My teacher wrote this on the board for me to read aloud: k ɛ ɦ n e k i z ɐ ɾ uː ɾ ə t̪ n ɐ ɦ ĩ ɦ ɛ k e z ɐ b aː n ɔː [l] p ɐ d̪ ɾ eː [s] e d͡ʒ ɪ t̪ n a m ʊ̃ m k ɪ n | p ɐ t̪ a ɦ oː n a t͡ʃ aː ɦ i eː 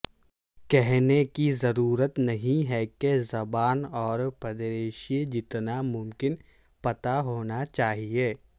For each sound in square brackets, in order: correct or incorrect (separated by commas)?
incorrect, incorrect